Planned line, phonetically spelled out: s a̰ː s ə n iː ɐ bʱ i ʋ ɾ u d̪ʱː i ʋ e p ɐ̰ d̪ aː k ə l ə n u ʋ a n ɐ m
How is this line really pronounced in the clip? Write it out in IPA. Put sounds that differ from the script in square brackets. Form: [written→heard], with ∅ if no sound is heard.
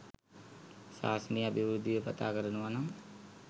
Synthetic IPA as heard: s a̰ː s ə n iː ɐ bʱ i ʋ ɾ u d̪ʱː i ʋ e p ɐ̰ [d̪→t̪] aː k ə [l→ɾ] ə n u ʋ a n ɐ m